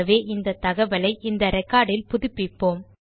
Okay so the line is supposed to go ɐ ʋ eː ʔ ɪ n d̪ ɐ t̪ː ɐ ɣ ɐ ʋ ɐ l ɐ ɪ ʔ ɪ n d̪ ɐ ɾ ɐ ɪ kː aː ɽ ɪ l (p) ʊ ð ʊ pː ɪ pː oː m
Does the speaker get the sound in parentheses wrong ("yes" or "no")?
no